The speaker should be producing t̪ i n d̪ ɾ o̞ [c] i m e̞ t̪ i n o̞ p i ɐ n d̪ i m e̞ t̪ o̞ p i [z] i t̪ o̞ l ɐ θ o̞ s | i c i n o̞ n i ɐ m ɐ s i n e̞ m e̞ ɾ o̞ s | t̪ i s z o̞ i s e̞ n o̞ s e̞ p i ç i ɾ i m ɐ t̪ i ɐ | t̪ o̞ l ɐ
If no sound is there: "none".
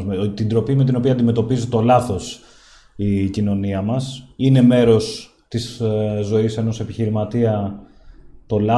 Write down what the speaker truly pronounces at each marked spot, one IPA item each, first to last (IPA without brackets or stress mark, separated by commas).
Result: p, z